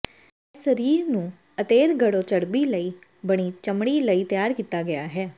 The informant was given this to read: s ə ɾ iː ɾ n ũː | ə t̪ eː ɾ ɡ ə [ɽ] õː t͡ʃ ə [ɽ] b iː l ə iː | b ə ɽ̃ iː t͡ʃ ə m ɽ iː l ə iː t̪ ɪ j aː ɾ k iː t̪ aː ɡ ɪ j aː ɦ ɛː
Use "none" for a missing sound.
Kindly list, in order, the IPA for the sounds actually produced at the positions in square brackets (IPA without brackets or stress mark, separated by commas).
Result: ɽ, ɽ